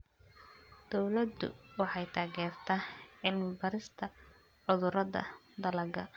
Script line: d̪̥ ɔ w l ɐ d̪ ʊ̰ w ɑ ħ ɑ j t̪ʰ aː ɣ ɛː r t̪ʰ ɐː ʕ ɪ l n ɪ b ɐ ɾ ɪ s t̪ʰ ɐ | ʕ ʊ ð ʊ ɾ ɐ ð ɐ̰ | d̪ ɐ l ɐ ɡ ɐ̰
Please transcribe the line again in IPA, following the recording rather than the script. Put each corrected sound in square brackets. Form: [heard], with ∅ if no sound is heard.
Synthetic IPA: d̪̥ ɔ w l ɐ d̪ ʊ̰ w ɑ ħ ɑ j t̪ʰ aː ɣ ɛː r t̪ʰ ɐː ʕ ɪ l [m] ɪ b ɐ ɾ ɪ s t̪ʰ ɐ | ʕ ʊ ð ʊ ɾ ɐ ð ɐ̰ | d̪ ɐ l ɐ ɡ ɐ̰